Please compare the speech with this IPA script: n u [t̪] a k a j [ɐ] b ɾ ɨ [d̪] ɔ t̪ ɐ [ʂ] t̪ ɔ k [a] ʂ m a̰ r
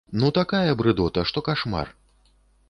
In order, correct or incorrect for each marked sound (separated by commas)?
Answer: correct, correct, correct, correct, correct